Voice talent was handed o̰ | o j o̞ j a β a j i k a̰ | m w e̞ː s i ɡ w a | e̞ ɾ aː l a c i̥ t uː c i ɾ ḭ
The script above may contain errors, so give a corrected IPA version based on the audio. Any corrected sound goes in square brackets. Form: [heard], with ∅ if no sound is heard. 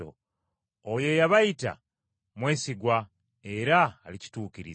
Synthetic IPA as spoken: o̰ | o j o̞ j a β a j i [t] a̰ | m w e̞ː s i ɡ w a | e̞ ɾ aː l [i] c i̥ t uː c i ɾ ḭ